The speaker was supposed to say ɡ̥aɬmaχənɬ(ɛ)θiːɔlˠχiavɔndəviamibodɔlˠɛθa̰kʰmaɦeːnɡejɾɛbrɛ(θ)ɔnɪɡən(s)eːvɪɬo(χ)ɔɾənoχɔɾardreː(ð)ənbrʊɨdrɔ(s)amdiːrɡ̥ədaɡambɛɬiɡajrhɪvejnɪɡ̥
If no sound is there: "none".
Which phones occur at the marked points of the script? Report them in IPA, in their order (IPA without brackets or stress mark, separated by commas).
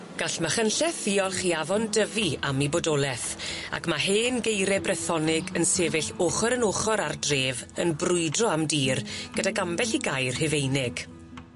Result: ɛ, θ, s, χ, v, none